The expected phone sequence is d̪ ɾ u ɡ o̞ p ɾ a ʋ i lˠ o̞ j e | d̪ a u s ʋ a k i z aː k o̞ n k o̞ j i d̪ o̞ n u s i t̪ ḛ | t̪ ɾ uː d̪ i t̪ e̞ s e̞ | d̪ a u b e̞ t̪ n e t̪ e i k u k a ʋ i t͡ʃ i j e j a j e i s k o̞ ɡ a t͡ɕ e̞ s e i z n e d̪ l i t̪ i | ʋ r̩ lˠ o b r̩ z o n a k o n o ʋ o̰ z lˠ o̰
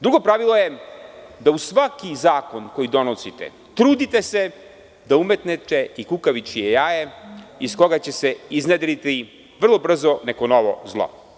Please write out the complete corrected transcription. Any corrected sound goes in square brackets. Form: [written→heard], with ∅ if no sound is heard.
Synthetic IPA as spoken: d̪ ɾ u ɡ o̞ p ɾ a ʋ i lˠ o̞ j e | d̪ a u s ʋ a k i z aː k o̞ n k o̞ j i d̪ o̞ n [u→o] s i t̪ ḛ | t̪ ɾ uː d̪ i t̪ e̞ s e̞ | d̪ a u [b→m] e̞ t̪ n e t̪ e i k u k a ʋ i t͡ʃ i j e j a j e i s k o̞ ɡ a t͡ɕ e̞ s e i z n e d̪ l i t̪ i | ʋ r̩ lˠ o b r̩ z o n [a→e] k o n o ʋ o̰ z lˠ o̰